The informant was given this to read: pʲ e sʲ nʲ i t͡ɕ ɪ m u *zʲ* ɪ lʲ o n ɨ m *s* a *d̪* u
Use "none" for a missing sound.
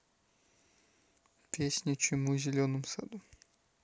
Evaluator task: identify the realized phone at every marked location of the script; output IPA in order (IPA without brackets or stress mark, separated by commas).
zʲ, s, d̪